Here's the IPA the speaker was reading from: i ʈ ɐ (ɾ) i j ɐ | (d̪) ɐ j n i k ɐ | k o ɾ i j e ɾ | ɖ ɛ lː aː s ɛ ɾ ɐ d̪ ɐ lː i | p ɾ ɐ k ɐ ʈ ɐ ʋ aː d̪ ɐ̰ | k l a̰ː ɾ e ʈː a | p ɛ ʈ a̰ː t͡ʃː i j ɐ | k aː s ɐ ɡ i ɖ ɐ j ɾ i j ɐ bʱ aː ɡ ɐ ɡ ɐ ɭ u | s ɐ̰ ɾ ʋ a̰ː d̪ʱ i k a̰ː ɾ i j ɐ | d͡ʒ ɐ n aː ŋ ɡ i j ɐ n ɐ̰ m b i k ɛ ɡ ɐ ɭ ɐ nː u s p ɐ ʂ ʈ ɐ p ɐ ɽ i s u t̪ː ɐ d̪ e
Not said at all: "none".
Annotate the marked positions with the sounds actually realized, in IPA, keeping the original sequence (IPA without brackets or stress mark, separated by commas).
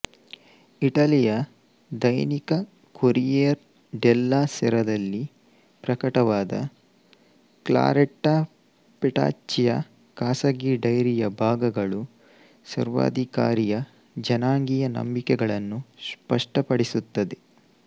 l, d̪